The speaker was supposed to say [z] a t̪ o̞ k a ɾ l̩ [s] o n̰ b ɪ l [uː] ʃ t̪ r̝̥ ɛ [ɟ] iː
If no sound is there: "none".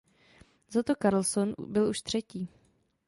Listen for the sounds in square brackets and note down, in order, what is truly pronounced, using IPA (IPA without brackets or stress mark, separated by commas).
z, s, u, c